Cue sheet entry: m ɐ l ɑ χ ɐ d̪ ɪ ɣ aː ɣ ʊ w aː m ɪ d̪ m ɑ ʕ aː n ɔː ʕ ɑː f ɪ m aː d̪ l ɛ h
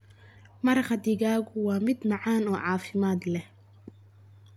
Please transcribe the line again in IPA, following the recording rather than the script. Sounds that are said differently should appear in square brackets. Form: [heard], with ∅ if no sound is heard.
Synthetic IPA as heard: m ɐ [ɾ] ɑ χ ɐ d̪ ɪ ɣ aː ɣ ʊ w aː m ɪ d̪ m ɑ ʕ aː n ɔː ʕ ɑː f ɪ m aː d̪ l ɛ h